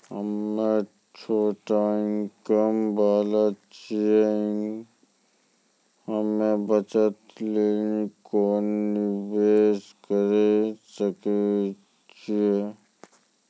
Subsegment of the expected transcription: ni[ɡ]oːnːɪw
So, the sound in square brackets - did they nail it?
no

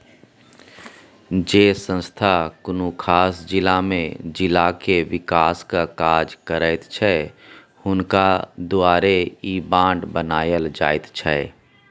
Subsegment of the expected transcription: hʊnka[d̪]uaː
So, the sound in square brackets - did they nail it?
yes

